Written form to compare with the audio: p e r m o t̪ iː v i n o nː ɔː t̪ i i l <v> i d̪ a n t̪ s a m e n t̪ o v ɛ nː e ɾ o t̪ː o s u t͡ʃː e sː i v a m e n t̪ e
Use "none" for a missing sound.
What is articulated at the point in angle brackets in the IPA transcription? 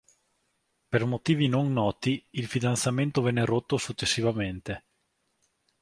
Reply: f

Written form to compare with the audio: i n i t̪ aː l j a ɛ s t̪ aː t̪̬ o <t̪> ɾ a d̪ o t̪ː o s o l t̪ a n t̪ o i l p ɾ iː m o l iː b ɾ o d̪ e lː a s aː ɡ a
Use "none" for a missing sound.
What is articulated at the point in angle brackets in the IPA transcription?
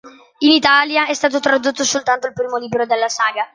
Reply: t̪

